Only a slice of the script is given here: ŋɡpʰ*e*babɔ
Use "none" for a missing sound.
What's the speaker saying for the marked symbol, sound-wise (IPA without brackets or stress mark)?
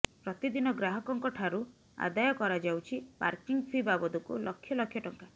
i